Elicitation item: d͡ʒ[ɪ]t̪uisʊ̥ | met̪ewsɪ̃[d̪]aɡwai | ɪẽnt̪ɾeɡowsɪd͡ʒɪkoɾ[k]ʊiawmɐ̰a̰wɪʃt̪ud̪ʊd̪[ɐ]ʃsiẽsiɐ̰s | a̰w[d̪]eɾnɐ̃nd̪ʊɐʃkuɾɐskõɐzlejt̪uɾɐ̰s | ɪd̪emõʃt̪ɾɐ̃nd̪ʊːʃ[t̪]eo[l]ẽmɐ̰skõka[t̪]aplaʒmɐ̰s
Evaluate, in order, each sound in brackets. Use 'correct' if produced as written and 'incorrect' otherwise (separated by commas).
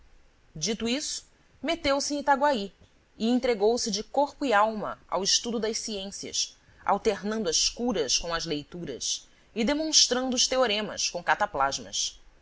incorrect, incorrect, incorrect, correct, incorrect, correct, incorrect, correct